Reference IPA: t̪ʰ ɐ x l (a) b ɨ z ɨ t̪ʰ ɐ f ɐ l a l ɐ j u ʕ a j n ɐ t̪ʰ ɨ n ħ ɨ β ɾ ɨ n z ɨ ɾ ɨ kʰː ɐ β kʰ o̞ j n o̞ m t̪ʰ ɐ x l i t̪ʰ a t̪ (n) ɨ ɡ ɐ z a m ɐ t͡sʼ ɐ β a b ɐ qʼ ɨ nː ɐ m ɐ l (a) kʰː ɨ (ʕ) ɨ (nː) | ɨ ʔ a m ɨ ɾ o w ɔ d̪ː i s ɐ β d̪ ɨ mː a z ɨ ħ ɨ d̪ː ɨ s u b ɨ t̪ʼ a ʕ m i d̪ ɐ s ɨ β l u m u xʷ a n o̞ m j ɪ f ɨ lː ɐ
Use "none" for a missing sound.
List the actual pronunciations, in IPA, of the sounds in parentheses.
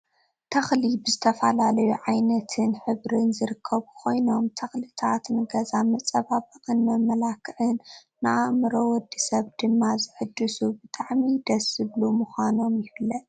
i, n, a, ʕ, nː

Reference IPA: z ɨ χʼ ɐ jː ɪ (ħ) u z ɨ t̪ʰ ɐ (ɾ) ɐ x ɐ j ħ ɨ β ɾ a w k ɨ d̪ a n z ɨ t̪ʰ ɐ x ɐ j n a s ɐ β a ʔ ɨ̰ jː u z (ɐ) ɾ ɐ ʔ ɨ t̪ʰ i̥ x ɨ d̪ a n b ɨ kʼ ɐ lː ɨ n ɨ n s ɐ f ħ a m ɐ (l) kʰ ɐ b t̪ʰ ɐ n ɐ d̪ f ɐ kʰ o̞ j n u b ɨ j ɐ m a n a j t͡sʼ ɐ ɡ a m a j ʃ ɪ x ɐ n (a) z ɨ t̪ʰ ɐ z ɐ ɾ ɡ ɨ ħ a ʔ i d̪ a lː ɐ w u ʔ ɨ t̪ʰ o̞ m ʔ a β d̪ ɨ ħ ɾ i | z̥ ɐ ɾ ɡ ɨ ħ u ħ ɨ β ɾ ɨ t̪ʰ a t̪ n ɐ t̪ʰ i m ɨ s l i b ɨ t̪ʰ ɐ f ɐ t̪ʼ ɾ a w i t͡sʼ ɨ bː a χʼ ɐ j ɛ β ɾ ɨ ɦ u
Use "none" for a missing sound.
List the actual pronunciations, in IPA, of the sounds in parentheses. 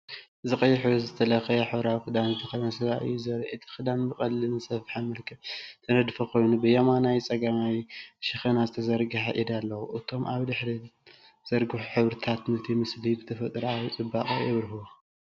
ħ, l, ɐ, l, a

